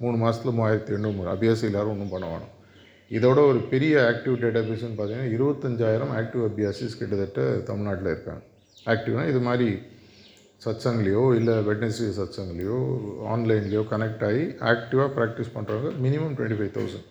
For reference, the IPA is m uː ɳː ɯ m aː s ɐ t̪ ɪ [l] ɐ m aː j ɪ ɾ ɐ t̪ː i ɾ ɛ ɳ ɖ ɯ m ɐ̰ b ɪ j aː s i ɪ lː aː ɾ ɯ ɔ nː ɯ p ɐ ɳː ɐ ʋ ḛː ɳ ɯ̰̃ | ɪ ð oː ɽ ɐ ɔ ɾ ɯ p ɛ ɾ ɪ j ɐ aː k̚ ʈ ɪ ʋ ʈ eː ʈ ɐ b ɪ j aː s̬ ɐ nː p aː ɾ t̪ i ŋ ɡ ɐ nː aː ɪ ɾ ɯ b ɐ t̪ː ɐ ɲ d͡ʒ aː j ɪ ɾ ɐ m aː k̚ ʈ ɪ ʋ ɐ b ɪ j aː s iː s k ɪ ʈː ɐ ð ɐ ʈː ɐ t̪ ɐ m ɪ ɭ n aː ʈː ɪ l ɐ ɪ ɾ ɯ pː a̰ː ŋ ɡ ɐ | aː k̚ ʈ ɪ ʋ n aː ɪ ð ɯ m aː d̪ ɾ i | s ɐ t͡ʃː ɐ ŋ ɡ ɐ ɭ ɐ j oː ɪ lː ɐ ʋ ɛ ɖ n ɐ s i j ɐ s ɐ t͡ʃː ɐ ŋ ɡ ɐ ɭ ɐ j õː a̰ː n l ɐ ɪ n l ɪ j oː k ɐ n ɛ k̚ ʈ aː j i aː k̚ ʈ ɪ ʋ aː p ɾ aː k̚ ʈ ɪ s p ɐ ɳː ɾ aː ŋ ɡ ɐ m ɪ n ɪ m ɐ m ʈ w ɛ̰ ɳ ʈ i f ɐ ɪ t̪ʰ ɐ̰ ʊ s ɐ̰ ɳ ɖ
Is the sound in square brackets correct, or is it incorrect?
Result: correct